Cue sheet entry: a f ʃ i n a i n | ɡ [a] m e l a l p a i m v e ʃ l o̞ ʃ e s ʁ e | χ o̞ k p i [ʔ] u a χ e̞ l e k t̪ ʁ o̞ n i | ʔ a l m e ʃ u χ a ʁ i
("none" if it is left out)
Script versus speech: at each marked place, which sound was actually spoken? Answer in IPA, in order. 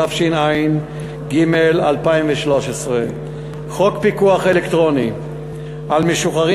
i, k

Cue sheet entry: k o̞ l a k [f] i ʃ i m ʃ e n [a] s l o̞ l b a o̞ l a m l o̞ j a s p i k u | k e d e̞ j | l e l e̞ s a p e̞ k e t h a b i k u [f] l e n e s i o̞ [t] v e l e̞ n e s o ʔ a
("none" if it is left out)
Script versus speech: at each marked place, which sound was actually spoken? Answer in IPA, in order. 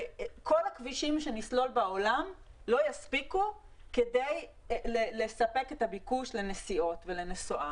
v, i, ʃ, t

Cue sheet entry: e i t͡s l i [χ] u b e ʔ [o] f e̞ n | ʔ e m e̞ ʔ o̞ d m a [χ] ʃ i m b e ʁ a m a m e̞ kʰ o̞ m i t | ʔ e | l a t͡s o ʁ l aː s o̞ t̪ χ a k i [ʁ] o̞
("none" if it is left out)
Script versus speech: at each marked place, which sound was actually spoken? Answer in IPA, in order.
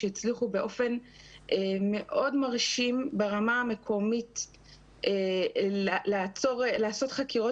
χ, o, ʁ, ʁ

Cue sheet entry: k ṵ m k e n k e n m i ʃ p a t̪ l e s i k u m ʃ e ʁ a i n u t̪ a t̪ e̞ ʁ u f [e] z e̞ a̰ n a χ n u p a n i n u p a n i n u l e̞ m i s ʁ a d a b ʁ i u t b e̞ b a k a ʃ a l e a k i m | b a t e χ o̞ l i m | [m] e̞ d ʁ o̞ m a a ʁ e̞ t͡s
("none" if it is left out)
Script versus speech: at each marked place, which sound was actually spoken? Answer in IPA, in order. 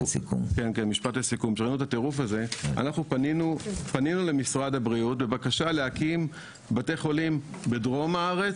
a, b

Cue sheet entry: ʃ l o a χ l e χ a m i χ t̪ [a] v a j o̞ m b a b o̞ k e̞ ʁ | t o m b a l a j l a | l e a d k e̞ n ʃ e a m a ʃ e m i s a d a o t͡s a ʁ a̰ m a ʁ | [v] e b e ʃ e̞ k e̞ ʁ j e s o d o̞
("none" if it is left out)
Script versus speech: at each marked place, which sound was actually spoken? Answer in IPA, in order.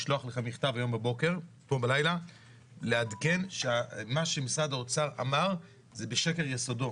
a, z

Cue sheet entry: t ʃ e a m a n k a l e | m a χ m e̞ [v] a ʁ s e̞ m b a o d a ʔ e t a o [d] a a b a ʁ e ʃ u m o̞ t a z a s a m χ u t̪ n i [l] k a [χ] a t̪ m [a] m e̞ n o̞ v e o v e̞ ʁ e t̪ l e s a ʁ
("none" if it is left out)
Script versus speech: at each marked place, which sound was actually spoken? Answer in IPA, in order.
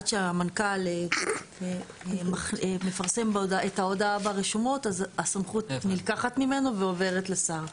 f, d, l, χ, i

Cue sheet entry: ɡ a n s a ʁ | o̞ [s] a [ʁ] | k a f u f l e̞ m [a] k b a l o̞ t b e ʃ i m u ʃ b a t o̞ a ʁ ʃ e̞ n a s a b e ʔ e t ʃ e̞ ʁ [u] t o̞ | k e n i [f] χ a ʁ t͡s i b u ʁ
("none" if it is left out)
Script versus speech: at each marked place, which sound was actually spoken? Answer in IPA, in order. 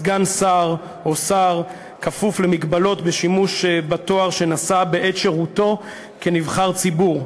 s, ʁ, i, u, v

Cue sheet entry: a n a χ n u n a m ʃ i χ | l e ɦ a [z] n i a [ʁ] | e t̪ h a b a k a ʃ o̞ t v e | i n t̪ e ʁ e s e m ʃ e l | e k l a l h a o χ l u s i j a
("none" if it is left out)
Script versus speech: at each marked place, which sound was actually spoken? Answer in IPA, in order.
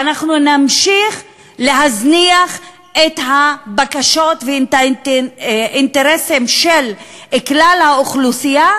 z, χ

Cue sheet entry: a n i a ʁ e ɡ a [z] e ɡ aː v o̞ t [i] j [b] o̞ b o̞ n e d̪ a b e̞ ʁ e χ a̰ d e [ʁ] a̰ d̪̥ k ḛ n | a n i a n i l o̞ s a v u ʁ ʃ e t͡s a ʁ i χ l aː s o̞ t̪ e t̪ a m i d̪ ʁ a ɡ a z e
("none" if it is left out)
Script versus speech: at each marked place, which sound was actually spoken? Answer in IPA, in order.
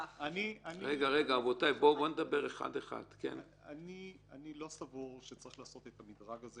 ʁ, a, b, χ

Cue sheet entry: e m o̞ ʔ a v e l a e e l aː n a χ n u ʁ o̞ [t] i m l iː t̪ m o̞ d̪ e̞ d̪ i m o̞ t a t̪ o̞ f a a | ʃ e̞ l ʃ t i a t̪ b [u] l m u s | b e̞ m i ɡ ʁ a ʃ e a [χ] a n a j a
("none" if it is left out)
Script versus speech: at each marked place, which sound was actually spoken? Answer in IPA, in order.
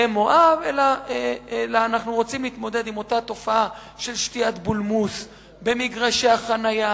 t͡s, u, χ

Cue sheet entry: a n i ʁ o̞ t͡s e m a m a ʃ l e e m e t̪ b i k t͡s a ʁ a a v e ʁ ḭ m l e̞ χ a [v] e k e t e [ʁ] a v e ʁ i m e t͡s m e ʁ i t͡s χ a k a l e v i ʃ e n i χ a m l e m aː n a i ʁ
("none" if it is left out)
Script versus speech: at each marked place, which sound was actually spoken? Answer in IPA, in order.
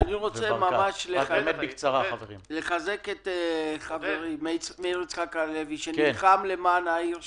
z, χ

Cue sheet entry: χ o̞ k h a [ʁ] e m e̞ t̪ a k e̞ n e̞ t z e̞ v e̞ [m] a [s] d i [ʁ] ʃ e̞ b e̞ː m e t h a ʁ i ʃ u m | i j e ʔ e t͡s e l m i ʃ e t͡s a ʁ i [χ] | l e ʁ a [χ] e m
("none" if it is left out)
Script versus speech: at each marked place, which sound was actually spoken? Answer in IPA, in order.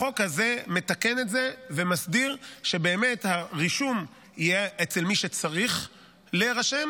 z, m, s, ʁ, χ, ʃ

